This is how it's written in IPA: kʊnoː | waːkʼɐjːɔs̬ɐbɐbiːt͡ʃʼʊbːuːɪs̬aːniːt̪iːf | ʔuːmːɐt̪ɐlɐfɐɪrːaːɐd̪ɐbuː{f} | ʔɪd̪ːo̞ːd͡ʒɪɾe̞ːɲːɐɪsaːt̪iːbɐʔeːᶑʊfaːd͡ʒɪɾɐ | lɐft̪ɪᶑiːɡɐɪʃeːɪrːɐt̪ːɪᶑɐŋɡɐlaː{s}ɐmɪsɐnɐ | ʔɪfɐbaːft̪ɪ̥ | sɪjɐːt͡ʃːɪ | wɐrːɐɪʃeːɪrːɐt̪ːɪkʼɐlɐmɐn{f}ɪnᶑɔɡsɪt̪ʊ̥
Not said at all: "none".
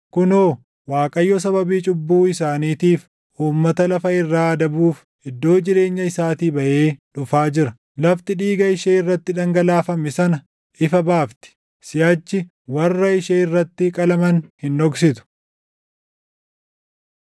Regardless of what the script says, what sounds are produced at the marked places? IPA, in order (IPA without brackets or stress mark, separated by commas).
f, f, h